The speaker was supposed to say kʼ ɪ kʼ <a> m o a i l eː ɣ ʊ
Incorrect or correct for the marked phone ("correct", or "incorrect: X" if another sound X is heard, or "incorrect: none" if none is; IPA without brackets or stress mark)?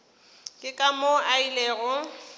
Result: correct